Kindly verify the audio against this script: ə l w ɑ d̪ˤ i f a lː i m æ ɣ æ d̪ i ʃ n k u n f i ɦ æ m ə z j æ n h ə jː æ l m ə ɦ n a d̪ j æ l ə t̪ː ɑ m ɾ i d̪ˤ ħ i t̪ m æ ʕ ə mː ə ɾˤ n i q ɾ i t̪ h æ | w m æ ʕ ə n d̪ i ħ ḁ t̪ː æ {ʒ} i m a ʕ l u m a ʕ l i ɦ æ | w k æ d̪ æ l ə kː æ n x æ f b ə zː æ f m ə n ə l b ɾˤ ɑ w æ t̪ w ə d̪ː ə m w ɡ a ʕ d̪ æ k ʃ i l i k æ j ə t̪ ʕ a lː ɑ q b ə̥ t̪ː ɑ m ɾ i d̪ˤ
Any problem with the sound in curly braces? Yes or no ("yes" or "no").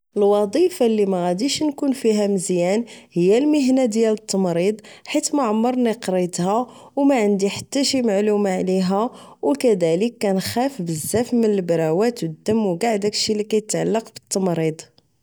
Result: yes